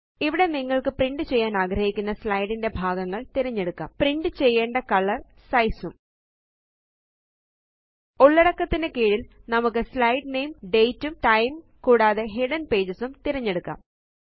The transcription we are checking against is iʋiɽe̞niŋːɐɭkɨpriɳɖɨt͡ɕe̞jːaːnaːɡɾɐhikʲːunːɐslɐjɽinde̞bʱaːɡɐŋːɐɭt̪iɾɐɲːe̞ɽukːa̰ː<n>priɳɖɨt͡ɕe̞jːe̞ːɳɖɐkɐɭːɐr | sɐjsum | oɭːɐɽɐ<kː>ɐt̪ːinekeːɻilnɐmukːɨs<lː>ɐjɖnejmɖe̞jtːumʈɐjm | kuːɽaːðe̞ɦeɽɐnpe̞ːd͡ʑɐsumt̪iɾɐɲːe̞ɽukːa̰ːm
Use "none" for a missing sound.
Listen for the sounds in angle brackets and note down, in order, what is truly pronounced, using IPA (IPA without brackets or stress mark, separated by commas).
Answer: m, kː, l